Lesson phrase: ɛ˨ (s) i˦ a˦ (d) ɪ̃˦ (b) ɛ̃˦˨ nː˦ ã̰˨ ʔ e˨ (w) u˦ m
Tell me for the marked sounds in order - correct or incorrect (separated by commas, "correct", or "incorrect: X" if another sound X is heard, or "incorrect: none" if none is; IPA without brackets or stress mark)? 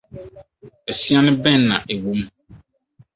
correct, incorrect: n, correct, correct